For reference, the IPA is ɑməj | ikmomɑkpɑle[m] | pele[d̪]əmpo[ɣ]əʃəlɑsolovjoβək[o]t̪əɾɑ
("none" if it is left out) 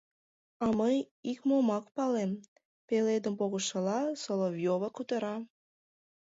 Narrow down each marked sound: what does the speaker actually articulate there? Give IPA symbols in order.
m, d̪, ɣ, u

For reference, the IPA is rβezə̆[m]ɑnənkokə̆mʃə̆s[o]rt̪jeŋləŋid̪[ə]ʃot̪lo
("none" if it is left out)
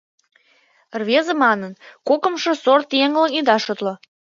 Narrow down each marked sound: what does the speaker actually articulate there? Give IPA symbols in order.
m, o, ɑ

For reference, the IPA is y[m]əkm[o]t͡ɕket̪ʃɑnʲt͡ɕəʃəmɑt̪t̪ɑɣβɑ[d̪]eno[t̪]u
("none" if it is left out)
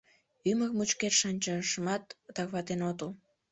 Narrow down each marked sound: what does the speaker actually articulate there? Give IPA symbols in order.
m, u, t̪, t̪

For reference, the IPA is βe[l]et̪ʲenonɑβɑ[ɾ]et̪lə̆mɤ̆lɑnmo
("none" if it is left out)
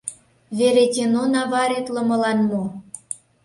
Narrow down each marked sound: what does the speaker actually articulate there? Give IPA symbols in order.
ɾ, ɾ

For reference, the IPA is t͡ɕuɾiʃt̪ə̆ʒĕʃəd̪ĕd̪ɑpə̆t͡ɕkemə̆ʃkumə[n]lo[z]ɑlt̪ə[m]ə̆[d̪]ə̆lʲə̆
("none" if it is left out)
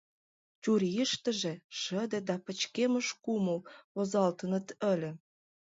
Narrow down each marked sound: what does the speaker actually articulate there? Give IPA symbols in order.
none, z, n, t̪

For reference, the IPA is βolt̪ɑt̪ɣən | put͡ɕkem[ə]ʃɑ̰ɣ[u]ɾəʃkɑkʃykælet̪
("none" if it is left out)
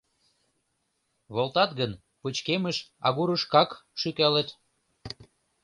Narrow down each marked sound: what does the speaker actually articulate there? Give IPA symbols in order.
ə, u

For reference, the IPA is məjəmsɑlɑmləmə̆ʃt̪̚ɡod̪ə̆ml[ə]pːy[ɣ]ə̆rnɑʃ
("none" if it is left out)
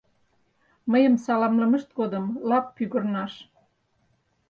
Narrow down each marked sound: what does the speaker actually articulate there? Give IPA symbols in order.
ɑ, ɣ

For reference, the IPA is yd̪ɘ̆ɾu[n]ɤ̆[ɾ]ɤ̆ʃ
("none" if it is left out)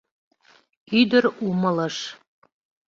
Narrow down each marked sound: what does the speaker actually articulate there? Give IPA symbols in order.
m, l

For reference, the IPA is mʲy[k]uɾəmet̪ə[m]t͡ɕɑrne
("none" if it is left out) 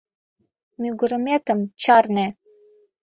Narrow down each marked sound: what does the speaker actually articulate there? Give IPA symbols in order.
ɡ, m

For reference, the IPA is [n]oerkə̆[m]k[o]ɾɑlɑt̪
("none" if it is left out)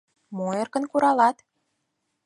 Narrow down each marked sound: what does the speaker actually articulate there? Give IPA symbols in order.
m, n, u

